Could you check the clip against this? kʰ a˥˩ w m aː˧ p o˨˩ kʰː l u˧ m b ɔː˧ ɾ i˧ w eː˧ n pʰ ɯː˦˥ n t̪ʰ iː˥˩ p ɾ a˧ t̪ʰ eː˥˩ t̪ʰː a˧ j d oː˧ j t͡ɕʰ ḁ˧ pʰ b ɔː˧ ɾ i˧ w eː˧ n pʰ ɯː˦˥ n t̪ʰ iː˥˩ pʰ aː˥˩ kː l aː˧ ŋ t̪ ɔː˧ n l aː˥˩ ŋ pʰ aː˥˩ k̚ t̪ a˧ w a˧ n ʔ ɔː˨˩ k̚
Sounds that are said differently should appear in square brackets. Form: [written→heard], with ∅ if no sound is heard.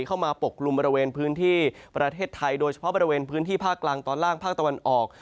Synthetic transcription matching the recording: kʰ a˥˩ w m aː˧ p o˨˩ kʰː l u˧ m b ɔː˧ ɾ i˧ w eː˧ n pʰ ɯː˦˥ n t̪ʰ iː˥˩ p ɾ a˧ t̪ʰ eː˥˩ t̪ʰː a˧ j d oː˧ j t͡ɕʰ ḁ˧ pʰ b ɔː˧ ɾ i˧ w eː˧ n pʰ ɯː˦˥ n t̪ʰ iː˥˩ pʰ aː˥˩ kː l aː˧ ŋ t̪ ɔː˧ n l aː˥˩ ŋ pʰ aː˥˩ k̚ t̪ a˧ w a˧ n ʔ ɔː˨˩ k̚